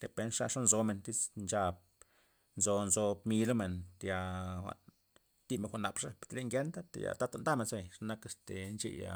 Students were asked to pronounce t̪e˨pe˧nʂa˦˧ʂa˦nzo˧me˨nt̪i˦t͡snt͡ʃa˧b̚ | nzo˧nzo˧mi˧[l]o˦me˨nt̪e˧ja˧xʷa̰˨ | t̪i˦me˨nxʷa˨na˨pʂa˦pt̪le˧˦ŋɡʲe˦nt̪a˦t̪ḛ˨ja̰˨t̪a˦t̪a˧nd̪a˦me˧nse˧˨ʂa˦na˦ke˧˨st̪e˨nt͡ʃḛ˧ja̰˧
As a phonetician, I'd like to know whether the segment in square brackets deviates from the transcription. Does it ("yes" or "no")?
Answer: no